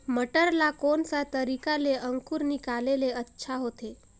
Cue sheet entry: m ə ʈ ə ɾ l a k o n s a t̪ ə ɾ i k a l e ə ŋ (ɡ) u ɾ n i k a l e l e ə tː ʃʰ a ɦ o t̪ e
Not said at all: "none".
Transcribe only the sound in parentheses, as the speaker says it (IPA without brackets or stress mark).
k